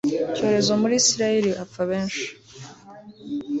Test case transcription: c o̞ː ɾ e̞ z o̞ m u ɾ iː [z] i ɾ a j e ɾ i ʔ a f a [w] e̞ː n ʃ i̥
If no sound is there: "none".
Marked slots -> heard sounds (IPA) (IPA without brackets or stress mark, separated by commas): s, β